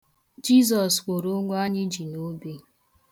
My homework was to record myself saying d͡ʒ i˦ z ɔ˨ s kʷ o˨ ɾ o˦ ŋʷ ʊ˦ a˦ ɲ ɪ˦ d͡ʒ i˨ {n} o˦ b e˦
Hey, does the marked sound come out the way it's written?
yes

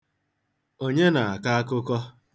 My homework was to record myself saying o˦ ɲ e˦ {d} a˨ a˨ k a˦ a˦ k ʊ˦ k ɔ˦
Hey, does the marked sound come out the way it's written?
no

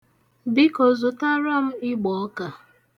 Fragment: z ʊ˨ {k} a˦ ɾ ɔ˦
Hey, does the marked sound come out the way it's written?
no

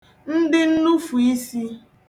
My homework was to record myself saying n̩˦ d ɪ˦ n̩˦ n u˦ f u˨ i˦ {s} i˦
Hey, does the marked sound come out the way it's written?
yes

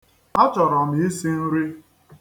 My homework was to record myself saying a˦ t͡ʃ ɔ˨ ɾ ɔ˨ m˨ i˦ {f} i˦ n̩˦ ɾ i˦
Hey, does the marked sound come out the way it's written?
no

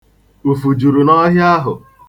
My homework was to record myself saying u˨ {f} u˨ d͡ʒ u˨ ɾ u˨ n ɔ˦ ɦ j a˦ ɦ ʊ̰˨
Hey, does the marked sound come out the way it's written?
yes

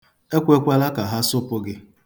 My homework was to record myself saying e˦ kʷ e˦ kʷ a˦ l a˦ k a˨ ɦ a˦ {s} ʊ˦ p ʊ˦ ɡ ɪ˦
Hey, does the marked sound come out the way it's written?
yes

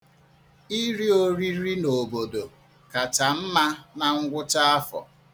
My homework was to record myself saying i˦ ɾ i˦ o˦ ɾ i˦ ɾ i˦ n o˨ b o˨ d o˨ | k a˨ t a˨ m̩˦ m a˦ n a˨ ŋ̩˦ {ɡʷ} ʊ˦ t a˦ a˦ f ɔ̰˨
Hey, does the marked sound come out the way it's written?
yes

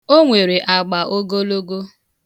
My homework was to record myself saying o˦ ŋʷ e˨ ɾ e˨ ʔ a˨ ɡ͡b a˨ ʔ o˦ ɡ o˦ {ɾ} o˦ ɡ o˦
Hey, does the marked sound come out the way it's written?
no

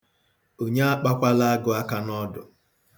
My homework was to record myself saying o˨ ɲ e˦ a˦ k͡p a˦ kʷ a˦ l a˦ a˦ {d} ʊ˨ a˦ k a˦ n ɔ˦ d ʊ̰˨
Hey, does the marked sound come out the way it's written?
no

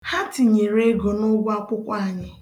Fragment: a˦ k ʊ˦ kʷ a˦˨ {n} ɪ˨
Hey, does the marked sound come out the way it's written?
no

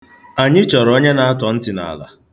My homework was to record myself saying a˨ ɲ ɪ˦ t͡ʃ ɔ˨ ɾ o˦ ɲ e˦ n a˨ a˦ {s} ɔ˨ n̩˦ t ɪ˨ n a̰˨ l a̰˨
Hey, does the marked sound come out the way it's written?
no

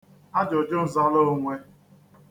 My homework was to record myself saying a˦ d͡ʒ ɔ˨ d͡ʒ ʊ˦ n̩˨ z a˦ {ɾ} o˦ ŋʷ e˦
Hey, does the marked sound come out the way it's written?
no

